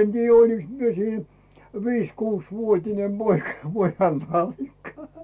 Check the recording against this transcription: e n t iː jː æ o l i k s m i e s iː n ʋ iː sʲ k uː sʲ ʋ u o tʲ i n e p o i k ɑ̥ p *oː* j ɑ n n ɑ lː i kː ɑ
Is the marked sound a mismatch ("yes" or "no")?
yes